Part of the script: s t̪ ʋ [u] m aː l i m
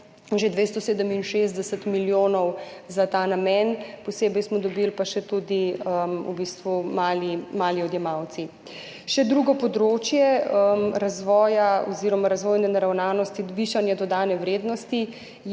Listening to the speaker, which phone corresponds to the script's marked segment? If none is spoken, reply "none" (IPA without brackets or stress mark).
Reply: u